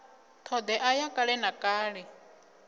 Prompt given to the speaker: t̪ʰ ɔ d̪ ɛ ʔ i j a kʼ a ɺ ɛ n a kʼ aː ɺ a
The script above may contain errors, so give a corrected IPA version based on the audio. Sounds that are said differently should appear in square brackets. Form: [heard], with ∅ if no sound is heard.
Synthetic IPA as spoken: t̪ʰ ɔ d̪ ɛ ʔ [a] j a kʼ a ɺ ɛ n a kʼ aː ɺ [ɛ]